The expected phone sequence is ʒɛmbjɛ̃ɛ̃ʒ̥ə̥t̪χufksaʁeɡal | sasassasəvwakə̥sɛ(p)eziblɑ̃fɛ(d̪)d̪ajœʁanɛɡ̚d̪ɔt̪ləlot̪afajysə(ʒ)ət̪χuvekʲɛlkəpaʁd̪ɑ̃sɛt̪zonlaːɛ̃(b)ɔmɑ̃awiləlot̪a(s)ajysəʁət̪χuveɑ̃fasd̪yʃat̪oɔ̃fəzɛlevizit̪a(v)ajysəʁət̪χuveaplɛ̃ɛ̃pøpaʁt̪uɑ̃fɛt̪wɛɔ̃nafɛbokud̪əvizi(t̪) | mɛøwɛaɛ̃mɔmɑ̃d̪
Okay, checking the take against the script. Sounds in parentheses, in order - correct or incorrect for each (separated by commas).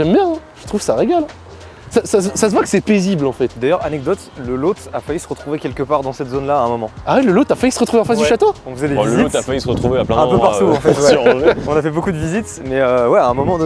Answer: correct, incorrect, incorrect, incorrect, incorrect, incorrect, correct